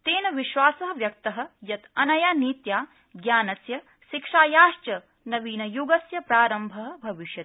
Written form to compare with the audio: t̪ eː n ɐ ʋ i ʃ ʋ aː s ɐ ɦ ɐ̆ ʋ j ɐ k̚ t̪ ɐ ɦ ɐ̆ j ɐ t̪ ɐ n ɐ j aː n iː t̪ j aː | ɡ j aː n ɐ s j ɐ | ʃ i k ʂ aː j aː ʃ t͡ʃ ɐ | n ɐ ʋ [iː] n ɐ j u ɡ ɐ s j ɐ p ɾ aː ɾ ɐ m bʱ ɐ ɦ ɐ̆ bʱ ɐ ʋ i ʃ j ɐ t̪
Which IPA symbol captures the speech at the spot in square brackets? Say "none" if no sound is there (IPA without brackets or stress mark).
iː